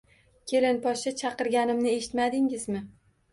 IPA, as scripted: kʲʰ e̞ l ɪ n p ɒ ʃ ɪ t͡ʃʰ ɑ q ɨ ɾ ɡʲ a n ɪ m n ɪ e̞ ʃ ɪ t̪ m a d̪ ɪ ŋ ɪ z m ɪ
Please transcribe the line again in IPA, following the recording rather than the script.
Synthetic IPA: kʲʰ e̞ l ɪ n p ɒ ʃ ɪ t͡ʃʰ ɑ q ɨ ɾ ɡʲ a n ɪ m n ɪ e̞ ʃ ɪ t̪ m a d̪ ɪ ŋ ɪ z m ɪ

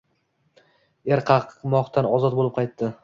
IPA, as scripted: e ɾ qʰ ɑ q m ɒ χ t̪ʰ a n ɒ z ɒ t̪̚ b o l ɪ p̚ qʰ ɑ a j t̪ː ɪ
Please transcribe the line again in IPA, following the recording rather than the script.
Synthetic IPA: e ɾ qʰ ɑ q m ɒ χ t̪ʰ a n ɒ z ɒ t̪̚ b o l ɪ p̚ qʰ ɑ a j t̪ː ɪ

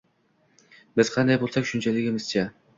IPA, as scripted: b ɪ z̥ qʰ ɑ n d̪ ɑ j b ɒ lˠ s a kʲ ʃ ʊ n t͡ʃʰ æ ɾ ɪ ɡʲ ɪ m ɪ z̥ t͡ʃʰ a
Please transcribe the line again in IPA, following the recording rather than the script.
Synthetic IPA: b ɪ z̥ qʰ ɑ n d̪ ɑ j b o lˠ s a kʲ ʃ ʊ n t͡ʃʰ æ l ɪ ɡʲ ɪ m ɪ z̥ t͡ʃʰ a

